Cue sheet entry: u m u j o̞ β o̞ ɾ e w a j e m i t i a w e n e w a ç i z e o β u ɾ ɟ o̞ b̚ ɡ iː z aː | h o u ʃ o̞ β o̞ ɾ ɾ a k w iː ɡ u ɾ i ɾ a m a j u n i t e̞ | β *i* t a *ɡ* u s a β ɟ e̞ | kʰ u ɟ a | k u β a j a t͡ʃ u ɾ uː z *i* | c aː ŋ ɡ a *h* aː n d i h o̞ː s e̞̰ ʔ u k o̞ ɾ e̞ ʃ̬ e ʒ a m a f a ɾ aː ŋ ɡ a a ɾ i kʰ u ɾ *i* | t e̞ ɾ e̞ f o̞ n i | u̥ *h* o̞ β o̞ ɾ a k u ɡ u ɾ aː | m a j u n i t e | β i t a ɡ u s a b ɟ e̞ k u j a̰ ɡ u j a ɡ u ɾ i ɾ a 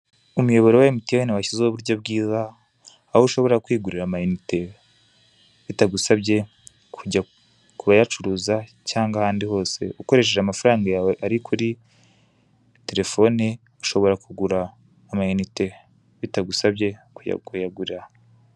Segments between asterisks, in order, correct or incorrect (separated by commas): correct, correct, incorrect, correct, correct, incorrect